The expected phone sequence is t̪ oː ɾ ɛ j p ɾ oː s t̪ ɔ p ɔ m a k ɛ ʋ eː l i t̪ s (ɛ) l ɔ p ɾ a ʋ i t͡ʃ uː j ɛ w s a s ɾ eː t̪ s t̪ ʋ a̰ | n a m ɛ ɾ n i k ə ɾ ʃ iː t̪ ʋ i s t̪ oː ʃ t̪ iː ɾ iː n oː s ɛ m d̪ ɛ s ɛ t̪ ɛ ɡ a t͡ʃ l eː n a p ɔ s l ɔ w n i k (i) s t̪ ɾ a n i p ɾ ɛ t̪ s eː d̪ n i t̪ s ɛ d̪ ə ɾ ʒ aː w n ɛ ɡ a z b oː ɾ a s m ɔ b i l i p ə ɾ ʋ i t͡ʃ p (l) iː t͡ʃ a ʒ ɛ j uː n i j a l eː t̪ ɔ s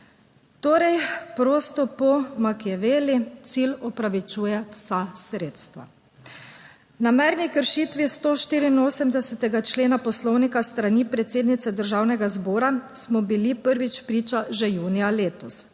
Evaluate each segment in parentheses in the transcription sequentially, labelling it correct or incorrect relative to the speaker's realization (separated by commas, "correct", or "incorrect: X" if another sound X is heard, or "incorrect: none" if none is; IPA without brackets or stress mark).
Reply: incorrect: i, incorrect: a, incorrect: ɾ